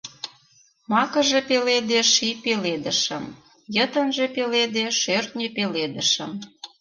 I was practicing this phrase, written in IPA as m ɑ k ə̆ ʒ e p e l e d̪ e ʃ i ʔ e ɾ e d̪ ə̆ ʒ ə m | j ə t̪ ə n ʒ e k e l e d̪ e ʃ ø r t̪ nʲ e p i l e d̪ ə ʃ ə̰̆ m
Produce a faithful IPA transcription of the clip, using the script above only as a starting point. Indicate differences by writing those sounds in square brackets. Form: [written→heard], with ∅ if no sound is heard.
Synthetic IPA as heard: m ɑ k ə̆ ʒ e p e l e d̪ e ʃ i [ʔ→p] e [ɾ→l] e d̪ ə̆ [ʒ→ʃ] ə m | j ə t̪ ə n ʒ e [k→p] e l e d̪ e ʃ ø r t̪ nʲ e p [i→e] l e d̪ ə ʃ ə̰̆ m